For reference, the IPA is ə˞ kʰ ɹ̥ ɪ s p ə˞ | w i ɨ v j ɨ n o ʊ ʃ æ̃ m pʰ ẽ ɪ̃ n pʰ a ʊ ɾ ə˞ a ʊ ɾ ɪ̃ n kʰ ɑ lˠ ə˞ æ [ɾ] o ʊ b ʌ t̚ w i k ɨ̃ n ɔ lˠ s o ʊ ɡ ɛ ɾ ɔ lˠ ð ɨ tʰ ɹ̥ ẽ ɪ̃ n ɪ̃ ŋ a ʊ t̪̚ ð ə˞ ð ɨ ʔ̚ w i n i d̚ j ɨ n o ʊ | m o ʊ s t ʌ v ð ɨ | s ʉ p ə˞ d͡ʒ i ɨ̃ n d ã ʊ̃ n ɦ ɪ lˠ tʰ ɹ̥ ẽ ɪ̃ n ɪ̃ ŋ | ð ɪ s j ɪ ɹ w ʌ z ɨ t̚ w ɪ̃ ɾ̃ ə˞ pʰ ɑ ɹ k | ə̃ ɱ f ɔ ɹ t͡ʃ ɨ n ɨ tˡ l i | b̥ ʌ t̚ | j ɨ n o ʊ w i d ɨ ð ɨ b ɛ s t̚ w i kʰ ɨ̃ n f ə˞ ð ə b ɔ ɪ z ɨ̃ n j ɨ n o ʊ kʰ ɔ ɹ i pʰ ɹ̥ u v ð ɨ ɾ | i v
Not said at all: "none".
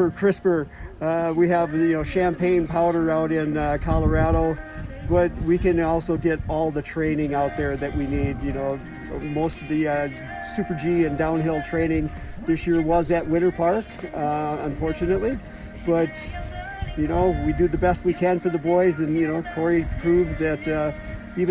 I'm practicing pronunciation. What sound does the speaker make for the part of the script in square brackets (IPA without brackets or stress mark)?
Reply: ɾ